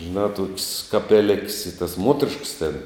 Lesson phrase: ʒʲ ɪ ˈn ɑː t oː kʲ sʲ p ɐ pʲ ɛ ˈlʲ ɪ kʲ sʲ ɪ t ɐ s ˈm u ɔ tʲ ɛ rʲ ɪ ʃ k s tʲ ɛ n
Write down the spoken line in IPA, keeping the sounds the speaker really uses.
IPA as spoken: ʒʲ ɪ ˈn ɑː t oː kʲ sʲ k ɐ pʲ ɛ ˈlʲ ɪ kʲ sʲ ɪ t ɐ s ˈm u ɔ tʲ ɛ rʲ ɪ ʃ k s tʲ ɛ n